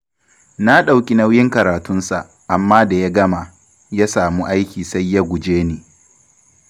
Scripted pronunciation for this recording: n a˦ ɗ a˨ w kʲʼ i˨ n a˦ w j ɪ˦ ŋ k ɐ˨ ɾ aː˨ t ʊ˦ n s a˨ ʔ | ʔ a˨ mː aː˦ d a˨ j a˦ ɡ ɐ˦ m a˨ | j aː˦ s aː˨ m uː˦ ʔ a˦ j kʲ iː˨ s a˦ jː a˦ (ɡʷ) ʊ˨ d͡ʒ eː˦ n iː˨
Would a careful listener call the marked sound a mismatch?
no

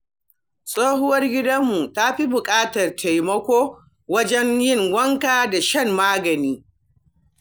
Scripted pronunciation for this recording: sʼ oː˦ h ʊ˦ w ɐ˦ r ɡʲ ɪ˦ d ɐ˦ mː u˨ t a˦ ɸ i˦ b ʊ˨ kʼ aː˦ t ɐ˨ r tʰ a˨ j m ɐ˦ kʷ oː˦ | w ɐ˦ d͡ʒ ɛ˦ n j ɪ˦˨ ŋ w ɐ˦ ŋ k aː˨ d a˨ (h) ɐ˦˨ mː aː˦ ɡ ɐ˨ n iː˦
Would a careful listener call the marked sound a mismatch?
yes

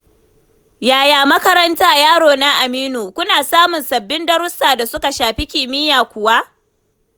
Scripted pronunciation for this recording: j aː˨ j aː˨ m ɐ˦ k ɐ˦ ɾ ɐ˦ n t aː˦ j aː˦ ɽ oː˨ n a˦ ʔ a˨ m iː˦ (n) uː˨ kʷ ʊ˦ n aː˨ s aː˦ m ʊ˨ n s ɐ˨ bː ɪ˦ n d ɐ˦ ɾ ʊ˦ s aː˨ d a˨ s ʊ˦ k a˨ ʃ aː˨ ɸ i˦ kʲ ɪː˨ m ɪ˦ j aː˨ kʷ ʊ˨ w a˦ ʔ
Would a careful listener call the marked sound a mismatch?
no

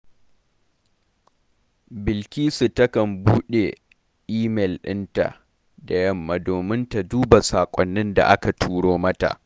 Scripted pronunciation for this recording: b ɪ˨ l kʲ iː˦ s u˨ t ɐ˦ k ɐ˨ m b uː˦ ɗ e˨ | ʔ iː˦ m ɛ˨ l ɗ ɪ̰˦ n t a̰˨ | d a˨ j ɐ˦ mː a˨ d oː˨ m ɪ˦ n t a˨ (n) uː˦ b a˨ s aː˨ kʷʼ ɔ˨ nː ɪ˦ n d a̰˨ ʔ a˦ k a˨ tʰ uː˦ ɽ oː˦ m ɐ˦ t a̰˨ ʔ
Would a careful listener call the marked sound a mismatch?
yes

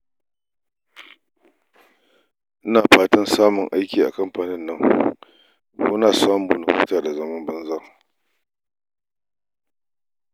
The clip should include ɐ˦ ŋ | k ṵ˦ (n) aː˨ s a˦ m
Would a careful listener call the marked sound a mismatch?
no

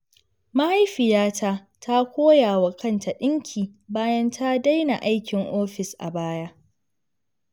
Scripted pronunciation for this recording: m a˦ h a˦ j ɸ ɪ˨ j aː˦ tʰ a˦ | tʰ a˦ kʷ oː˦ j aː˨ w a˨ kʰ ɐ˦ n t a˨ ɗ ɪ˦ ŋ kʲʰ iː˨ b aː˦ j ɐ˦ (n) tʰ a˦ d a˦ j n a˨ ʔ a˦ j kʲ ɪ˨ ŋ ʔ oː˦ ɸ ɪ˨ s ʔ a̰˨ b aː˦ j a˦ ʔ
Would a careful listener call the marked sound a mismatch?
no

